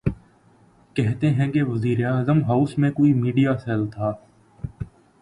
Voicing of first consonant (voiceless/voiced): voiceless